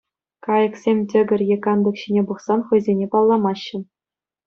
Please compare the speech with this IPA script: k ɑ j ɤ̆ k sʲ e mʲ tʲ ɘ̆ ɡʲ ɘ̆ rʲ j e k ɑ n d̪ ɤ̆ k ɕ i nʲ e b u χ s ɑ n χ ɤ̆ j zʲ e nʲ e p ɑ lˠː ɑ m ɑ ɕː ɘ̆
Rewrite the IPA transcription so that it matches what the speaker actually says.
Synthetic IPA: k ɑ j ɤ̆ k sʲ e mʲ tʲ ɘ̆ ɡʲ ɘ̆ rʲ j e k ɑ n d̪ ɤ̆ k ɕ i nʲ e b u χ s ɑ n χ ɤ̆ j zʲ e nʲ e p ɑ lˠː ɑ m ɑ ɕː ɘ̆